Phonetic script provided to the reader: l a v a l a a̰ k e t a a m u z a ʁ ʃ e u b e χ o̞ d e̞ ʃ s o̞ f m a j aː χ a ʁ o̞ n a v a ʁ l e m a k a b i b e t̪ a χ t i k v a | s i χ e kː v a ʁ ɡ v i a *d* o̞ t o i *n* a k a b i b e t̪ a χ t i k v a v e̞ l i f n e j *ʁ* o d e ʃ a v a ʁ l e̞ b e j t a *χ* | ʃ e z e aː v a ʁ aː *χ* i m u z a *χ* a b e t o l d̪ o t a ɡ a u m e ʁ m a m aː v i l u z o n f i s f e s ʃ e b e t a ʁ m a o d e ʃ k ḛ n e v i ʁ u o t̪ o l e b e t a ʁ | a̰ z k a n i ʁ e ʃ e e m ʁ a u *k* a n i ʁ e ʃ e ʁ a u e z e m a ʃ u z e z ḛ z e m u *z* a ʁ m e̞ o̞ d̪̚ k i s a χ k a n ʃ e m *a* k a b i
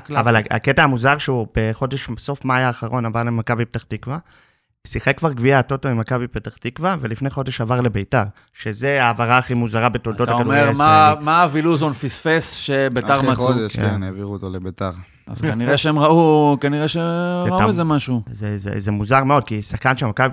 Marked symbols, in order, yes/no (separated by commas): no, no, no, no, yes, no, yes, yes, yes